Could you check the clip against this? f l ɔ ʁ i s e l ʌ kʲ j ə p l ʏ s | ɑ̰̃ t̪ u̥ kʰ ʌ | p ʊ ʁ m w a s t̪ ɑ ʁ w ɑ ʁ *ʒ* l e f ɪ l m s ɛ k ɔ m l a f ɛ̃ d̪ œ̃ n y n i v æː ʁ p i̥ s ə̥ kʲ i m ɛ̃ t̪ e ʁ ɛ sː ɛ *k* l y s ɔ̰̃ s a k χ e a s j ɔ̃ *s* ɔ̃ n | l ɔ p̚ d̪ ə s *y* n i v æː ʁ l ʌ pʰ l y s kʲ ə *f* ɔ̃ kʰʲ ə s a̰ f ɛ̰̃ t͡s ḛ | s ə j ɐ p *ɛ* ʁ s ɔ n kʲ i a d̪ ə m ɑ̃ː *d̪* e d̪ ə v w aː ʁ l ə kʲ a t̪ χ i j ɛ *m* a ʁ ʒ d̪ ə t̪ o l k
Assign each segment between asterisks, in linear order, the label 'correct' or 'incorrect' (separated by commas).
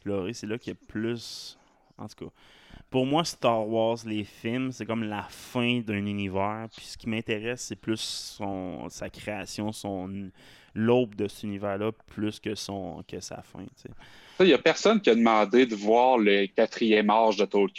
incorrect, incorrect, correct, correct, incorrect, correct, correct, correct